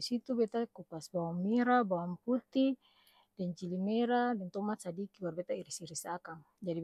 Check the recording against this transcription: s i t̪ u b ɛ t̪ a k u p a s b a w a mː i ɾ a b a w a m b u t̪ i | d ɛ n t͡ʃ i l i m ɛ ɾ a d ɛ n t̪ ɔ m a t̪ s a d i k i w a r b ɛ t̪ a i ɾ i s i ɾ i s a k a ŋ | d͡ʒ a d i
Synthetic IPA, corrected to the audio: s i t̪ u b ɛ t̪ a k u p a s b a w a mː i ɾ a b a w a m p u t̪ i | d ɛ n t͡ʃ i l i m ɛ ɾ a d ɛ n t̪ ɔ m a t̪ s a d i k i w a r b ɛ t̪ a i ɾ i s i ɾ i s a k a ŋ | d͡ʒ a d i